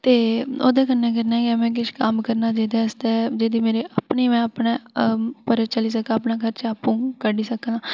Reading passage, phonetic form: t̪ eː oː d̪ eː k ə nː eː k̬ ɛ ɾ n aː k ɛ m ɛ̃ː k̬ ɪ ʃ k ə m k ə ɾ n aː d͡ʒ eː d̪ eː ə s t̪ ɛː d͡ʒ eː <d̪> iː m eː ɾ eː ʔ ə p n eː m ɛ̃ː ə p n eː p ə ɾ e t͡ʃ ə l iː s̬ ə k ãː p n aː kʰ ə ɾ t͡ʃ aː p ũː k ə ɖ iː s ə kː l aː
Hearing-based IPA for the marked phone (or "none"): d̪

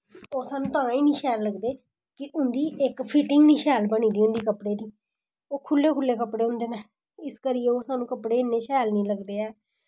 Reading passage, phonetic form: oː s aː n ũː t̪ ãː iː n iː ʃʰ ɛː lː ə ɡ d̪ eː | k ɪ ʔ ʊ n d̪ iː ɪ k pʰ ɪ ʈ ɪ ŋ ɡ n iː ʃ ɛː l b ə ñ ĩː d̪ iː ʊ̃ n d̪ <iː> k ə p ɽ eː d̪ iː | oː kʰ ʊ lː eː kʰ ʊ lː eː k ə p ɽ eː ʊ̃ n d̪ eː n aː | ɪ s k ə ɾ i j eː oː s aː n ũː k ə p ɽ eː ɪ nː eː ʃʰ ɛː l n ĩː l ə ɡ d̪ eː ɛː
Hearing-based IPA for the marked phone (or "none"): iː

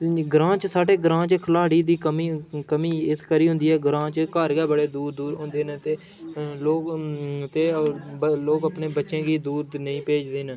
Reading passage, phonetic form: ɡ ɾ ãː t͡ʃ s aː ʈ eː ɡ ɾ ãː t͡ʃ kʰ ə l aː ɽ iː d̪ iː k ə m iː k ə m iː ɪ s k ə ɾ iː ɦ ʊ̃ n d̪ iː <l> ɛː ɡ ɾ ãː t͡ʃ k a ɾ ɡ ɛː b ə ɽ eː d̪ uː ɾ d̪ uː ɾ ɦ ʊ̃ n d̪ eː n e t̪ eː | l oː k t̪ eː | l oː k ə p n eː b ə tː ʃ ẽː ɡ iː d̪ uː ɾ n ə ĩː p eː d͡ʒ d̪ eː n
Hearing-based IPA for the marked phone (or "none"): none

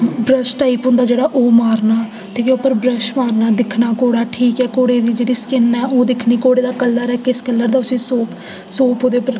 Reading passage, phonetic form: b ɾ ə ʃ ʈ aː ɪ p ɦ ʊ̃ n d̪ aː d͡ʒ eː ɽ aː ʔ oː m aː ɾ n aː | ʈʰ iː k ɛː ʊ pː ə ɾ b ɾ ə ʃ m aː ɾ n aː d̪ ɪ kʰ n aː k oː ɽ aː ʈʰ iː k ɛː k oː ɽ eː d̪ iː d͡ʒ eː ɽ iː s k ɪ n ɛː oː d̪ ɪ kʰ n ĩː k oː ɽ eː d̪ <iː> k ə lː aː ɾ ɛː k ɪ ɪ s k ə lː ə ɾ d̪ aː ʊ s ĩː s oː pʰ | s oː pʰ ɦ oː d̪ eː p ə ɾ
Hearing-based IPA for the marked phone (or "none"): aː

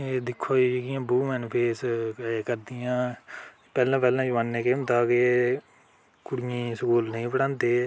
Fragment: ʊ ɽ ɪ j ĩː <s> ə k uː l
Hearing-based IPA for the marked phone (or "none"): s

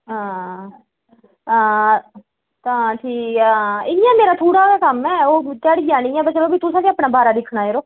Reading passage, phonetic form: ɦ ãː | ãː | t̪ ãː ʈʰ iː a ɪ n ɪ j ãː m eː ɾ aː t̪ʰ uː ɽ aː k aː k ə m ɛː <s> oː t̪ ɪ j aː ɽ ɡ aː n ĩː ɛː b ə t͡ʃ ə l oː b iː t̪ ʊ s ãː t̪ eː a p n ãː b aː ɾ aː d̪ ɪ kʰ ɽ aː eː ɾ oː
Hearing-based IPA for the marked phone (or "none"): none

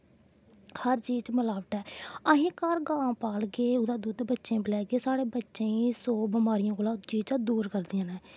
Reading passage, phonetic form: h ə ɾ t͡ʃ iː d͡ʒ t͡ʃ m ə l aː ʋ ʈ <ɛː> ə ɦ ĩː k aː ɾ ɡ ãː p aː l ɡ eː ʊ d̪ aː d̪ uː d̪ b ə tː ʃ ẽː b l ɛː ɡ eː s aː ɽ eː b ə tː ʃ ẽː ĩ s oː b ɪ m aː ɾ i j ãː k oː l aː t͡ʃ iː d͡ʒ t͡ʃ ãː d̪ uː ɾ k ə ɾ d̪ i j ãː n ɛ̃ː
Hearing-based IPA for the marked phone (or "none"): ɛː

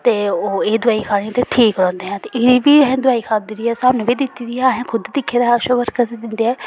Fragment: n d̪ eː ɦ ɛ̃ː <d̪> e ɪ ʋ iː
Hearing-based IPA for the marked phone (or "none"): t̪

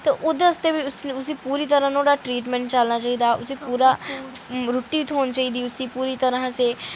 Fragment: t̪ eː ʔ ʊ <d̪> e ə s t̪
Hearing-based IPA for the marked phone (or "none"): d̪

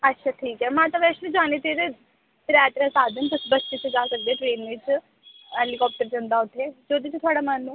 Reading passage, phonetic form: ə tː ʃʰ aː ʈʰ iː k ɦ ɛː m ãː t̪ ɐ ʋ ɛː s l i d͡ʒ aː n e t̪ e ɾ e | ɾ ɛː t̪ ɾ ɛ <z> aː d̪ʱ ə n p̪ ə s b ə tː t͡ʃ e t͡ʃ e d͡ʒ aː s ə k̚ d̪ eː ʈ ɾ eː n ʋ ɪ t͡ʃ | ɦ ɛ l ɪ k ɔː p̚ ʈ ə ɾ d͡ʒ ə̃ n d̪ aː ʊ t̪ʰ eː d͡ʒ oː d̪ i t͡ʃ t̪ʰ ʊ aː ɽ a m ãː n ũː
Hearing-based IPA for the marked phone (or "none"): s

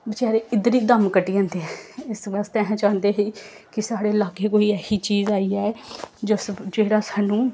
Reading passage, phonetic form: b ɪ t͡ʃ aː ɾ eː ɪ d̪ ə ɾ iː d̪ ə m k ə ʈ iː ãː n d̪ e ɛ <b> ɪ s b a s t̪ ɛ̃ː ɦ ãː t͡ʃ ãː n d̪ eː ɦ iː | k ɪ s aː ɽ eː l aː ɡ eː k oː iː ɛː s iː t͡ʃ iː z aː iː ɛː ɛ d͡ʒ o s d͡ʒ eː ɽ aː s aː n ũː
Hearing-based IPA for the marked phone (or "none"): none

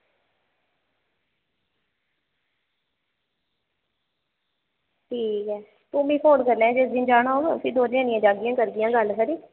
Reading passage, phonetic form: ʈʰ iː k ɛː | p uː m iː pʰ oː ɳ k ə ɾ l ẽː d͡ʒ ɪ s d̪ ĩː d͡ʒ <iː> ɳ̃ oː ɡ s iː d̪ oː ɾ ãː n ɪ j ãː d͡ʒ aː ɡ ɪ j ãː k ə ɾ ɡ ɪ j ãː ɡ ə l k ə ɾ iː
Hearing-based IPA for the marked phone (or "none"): aː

